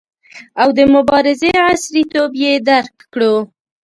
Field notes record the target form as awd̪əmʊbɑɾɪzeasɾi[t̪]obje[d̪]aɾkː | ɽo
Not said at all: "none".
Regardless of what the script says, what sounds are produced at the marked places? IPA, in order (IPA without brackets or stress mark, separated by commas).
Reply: t̪, d̪